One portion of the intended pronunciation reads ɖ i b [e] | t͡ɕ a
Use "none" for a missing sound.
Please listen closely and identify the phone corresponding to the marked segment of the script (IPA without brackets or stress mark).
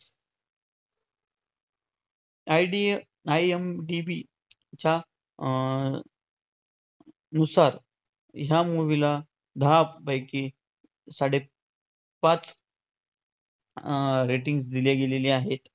i